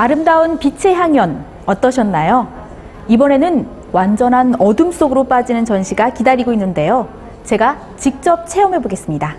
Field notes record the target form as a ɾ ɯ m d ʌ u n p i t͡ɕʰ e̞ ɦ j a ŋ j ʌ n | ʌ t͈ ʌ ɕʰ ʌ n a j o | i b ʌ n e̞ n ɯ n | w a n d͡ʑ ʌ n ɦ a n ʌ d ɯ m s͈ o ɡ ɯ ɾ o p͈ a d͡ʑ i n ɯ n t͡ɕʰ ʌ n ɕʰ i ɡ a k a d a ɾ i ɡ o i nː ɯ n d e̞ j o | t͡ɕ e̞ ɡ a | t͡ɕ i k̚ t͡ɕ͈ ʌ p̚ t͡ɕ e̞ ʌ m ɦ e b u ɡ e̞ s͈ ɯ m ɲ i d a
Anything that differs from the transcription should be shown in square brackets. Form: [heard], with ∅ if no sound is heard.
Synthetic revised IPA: a ɾ ɯ m d [a] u n p i t͡ɕʰ e̞ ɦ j a ŋ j ʌ n | ʌ t͈ ʌ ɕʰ ʌ [nː] a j o | i b ʌ n e̞ n ɯ n | w a n d͡ʑ ʌ n ɦ a n ʌ d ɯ m s͈ o ɡ ɯ ɾ o p͈ a d͡ʑ i n ɯ n [t͡ɕ] ʌ n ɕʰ i ɡ a k [i] d a ɾ i ɡ o i nː ɯ n d e̞ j o | t͡ɕ e̞ ɡ a | t͡ɕ i k̚ t͡ɕ͈ ʌ p̚ [t͡ɕʰ] e̞ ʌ m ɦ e b [o] ɡ e̞ s͈ ɯ m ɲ i d a